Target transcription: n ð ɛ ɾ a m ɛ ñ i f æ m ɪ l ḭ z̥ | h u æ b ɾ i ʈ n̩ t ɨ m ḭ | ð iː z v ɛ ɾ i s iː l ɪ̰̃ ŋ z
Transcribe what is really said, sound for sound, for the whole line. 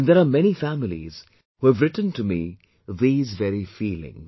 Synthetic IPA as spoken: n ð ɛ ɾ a m ɛ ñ i f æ m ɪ l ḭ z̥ | h u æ v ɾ ɪ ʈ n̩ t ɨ m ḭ | ð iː z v ɛ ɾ i f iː l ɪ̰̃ ŋ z

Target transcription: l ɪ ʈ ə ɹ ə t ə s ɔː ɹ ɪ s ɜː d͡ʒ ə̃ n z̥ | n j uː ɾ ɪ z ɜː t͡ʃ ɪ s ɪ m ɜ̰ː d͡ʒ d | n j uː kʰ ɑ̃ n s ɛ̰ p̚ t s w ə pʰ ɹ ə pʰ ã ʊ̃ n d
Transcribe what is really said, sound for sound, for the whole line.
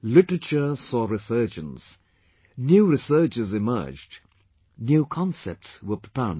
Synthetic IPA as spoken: l ɪ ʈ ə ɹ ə t͡ʃ ə s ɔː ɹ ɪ s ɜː d͡ʒ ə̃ n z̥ | n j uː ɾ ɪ s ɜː t͡ʃ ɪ z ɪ m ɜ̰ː d͡ʒ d | n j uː kʰ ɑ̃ n s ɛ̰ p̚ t s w ə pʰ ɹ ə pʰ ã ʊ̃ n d

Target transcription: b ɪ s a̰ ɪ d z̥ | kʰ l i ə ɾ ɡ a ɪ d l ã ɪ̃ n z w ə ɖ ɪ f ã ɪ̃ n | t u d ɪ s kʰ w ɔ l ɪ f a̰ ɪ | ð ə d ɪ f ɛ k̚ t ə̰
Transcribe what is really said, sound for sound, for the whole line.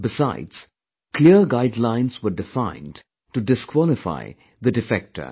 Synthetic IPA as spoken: b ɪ s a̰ ɪ d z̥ | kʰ l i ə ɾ ɡ a ɪ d l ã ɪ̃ n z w ə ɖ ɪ f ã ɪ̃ n | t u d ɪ s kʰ w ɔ l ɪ f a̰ ɪ | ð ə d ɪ f ɛ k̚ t ə̰

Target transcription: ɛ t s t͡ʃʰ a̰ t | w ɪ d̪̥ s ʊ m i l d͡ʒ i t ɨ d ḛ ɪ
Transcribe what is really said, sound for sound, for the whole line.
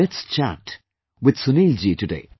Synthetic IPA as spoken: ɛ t s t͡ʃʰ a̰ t | w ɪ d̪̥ s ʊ n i l d͡ʒ i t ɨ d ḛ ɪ

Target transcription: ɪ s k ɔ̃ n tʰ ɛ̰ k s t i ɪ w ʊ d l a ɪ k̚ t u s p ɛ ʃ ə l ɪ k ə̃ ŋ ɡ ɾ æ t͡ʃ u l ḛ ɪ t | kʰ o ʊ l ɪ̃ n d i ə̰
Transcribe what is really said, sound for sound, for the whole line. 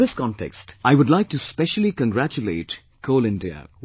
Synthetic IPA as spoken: ɪ s k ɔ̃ n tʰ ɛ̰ k s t a ɪ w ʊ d l a ɪ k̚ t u s p ɛ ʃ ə l i k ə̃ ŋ ɡ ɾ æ t͡ʃ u l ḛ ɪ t | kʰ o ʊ l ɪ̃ n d i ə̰

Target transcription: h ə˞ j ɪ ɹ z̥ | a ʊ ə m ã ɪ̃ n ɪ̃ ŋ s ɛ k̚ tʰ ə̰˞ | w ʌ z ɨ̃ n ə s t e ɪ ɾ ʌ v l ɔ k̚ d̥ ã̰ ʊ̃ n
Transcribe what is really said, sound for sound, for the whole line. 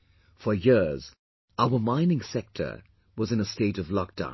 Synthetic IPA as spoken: f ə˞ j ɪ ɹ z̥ | a ʊ ə m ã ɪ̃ n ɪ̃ ŋ s ɛ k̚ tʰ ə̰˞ | w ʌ z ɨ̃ n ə s t e ɪ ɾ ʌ v l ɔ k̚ d̥ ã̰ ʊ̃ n

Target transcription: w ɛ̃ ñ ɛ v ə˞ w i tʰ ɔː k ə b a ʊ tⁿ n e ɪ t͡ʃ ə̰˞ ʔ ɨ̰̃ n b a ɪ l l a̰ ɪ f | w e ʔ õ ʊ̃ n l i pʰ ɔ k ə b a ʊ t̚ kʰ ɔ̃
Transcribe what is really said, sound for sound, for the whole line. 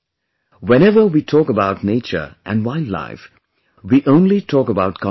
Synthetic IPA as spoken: w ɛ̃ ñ ɛ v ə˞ w i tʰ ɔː k ə b a ʊ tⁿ n e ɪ t͡ʃ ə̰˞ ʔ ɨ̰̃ n w a ɪ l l a̰ ɪ f | w i ʔ õ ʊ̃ n l i tʰ ɔ k ə b a ʊ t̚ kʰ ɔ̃

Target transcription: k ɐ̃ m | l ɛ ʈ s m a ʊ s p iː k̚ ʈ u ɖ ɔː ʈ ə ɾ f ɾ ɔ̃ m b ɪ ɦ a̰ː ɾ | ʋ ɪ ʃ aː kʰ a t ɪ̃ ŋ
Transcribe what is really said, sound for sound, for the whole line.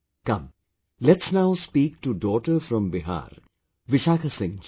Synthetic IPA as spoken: k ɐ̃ m | l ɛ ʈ s n a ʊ s p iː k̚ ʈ u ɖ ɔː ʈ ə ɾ f ɾ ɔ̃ m b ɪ ɦ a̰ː ɾ | ʋ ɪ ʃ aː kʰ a s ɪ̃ ŋ

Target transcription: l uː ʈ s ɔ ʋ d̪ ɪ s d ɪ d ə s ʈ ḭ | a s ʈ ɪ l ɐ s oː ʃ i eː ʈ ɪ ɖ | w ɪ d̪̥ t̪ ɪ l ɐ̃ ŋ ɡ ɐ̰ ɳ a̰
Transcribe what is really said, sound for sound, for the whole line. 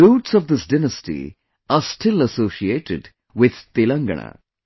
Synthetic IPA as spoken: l uː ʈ s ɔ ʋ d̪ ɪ s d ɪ n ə s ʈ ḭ | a s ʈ ɪ l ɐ s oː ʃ i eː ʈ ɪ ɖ | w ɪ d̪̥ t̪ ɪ l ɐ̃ ŋ ɡ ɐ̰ ɳ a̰

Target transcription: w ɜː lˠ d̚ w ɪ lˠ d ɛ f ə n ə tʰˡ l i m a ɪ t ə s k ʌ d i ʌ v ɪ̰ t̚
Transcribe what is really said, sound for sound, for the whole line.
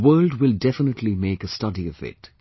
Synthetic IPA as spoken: w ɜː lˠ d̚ w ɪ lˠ d ɛ f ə n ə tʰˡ l i m e ɪ k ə s t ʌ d i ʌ v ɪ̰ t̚

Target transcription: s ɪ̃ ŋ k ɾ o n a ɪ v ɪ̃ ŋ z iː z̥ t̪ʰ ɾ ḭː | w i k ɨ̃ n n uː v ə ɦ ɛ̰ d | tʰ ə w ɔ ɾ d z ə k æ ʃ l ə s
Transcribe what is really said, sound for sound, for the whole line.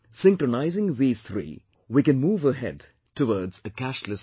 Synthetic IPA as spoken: s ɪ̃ ŋ k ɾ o n a ɪ z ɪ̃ ŋ ð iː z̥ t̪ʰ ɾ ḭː | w i k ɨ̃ n m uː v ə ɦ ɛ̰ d | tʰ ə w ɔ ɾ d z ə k æ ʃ l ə s

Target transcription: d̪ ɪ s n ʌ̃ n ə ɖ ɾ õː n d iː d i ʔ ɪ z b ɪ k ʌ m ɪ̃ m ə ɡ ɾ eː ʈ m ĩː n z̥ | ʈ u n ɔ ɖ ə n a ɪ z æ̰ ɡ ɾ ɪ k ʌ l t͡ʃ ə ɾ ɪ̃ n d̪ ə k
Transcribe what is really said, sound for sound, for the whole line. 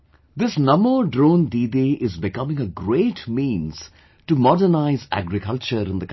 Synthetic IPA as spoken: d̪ ɪ s n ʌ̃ m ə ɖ ɾ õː n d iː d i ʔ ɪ z b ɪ k ʌ m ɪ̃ ŋ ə ɡ ɾ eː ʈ m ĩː n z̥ | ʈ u m ɔ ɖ ə n a ɪ z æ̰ ɡ ɾ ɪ k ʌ l t͡ʃ ə ɾ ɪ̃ n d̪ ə k

